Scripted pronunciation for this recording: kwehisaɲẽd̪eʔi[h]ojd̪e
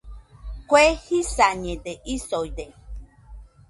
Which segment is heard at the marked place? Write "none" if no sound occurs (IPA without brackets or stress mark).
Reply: s